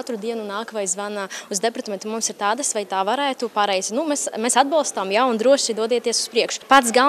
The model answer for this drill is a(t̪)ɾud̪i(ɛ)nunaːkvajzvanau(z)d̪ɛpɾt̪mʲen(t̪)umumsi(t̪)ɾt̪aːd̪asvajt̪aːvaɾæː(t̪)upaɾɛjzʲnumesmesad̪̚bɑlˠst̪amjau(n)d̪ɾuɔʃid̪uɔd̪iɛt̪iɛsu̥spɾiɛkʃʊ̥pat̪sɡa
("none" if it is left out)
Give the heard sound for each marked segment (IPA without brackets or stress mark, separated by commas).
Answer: t̪, ɛ, z, t̪, none, t̪, n